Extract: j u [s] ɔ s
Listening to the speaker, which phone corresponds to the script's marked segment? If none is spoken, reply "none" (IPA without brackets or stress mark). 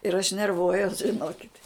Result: none